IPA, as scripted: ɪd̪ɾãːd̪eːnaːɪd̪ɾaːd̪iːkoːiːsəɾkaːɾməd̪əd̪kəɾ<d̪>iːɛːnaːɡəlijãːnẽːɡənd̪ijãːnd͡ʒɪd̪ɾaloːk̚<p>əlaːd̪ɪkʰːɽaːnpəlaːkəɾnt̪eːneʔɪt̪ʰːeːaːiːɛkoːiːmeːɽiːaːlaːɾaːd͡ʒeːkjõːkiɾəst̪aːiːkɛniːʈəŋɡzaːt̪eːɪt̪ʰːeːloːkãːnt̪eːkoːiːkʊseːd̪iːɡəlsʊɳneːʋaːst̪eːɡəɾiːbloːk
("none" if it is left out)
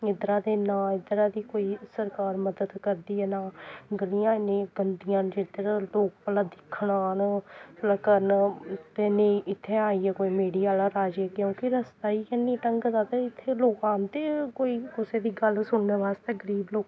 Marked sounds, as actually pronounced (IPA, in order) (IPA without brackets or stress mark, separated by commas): d̪, p